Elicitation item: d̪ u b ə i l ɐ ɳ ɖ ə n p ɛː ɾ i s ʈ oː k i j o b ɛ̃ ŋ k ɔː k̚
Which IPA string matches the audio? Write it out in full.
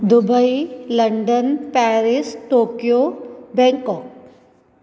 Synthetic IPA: d̪ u b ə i l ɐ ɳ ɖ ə n p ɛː ɾ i s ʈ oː k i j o b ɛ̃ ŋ k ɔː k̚